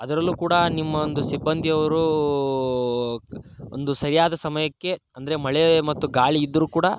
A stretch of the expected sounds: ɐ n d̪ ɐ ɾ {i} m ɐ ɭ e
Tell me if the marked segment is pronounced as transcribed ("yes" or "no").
no